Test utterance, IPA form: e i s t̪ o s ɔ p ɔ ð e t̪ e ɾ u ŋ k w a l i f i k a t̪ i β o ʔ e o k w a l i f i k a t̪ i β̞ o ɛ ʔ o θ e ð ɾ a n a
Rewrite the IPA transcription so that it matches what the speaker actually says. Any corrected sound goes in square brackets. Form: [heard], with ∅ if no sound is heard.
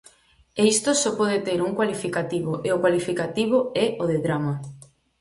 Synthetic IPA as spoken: e i s t̪ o s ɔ p ɔ ð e t̪ e ɾ u ŋ k w a l i f i k a t̪ i β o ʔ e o k w a l i f i k a t̪ i β̞ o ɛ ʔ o [ð] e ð ɾ a [m] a